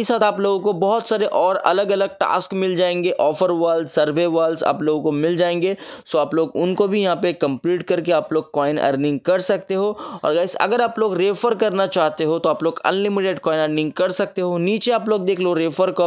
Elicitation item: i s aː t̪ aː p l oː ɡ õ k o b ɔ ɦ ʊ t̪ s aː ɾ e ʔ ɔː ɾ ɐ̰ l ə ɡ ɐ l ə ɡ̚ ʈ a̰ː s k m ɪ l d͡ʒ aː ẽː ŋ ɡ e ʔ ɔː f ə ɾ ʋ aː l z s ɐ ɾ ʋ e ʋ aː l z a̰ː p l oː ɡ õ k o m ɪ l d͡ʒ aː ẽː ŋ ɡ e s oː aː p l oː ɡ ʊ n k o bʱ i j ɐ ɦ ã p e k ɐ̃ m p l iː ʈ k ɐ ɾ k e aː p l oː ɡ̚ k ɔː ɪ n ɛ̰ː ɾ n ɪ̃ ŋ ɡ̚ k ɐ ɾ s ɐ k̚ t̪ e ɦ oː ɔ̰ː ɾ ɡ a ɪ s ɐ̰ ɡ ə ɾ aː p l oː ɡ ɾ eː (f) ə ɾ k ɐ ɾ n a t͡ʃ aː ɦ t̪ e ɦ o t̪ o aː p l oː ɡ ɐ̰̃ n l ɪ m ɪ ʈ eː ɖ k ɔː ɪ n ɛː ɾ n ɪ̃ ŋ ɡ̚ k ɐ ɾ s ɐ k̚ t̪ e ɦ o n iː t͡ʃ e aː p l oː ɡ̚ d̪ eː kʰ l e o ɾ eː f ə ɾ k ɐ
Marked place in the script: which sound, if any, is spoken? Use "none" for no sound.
f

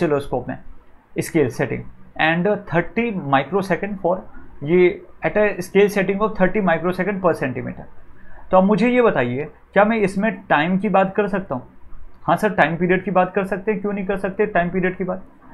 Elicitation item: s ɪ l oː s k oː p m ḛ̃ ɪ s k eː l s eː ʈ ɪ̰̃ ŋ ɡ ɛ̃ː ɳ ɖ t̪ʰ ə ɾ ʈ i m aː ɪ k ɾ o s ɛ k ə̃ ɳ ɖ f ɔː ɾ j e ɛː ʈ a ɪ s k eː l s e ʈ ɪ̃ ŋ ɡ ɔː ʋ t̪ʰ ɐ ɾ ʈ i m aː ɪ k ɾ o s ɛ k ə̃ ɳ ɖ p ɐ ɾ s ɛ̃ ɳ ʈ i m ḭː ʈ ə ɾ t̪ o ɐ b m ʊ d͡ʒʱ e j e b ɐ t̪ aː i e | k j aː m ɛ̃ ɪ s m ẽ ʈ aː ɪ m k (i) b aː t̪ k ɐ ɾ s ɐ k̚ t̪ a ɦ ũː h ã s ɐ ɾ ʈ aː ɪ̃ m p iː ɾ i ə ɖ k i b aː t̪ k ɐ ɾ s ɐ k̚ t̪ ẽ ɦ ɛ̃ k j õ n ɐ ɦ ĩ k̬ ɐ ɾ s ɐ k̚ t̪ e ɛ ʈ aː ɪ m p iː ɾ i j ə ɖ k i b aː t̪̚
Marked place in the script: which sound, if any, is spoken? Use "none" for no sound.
i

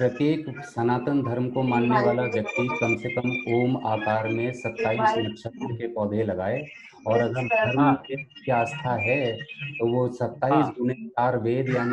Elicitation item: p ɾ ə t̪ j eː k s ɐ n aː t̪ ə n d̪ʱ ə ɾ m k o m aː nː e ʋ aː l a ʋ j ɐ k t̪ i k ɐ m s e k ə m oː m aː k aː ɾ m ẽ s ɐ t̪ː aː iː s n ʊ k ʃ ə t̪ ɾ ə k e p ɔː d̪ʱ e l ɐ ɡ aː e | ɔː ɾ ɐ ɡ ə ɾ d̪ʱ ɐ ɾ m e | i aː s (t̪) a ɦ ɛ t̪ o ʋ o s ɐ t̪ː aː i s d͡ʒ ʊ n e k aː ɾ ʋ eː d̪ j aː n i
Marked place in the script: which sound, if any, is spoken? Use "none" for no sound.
t̪ʰ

